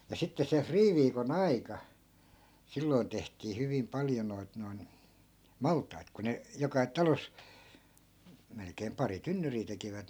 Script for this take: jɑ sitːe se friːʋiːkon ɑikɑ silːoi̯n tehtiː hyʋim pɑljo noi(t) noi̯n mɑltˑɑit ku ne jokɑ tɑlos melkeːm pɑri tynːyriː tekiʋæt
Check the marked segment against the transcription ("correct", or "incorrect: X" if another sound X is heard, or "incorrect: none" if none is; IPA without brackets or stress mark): correct